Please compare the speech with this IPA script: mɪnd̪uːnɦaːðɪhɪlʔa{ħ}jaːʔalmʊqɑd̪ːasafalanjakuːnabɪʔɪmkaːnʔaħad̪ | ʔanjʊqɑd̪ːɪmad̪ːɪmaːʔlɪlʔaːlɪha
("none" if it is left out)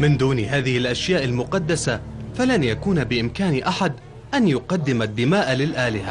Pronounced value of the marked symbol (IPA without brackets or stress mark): ʃ